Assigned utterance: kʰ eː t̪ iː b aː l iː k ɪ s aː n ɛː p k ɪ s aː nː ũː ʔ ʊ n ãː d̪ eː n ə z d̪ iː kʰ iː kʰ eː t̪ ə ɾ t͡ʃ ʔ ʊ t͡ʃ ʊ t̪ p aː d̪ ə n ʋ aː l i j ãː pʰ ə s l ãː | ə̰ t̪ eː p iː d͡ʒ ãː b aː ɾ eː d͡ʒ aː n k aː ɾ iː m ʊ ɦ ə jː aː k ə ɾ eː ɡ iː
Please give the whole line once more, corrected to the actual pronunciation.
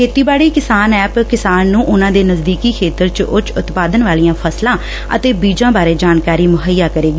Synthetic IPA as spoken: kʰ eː t̪ iː b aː ɽ iː k ɪ s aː n ɛː p k ɪ s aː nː ũː ʔ ʊ n ãː d̪ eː n ə z d̪ iː k iː kʰ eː t̪ ə ɾ t͡ʃ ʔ ʊ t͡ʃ ʊ t̪ p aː d̪ ə n ʋ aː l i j ãː pʰ ə s l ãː | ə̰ t̪ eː b iː d͡ʒ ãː b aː ɾ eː d͡ʒ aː n k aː ɾ iː m ʊ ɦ ə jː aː k ə ɾ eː ɡ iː